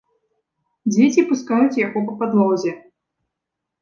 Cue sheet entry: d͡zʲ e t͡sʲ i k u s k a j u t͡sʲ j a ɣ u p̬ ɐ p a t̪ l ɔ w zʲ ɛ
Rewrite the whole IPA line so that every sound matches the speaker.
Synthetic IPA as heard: d͡zʲ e t͡sʲ i p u s k a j u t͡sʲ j a ɣ ɔ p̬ ɐ p a d̪ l ɔ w zʲ ɛ